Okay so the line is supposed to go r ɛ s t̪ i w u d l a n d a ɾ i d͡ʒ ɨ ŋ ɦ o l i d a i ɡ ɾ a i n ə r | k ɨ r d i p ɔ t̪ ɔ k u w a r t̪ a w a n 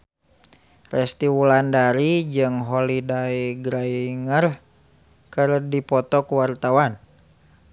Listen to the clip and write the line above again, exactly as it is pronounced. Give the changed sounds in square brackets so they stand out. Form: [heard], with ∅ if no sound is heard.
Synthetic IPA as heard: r ɛ s t̪ i w u [∅] l a n d a ɾ i d͡ʒ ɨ ŋ ɦ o l i d a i ɡ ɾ a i [ŋ] ə r | k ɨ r d i p ɔ t̪ ɔ k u w a r t̪ a w a n